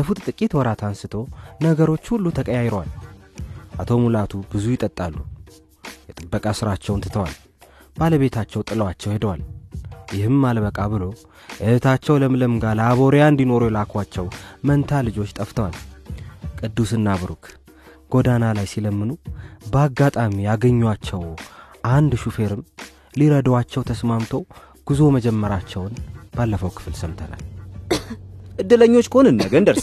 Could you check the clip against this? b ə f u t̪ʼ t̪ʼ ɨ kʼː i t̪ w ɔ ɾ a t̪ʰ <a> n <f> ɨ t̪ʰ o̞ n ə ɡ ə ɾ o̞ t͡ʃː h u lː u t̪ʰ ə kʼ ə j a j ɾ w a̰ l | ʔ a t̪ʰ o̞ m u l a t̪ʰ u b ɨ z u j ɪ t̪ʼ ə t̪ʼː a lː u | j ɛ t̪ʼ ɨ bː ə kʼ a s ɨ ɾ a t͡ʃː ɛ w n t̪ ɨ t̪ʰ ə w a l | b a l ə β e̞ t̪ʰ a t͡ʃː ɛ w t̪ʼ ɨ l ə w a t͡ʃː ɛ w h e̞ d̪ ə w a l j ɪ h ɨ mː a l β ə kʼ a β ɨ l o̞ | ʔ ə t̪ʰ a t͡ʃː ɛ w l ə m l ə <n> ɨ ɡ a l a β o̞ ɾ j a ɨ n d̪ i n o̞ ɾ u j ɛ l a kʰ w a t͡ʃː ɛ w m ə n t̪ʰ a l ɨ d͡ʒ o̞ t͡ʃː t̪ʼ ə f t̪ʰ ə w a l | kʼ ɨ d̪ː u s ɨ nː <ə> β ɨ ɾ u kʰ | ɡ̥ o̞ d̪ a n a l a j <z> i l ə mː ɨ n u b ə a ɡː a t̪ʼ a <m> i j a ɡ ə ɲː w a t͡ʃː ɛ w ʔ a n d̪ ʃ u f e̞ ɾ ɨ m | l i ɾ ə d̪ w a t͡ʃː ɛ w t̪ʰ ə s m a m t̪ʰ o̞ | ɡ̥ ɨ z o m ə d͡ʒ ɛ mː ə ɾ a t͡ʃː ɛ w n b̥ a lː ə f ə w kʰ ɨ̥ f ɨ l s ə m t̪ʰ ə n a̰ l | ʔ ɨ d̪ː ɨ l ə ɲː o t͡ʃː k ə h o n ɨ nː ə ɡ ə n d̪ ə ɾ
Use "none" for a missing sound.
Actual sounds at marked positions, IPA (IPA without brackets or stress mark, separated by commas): a, s, m, a, s, m